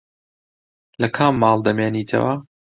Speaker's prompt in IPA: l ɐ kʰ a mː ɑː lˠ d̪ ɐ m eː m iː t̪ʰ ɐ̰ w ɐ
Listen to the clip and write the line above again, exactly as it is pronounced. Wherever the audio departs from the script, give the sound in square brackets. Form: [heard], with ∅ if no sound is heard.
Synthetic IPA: l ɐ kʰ a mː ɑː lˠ d̪ ɐ m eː [n] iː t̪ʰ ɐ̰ w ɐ